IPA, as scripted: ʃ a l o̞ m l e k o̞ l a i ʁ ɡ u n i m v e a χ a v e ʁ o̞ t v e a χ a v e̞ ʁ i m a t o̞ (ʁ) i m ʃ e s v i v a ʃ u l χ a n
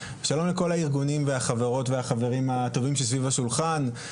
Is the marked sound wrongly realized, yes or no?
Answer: yes